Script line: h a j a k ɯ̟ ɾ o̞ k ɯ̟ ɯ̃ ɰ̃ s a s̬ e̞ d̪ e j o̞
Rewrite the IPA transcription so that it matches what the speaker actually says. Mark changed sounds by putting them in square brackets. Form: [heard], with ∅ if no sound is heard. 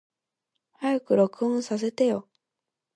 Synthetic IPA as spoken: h a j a k ɯ̟ ɾ o̞ k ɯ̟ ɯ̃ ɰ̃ s a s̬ e̞ [t̪] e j o̞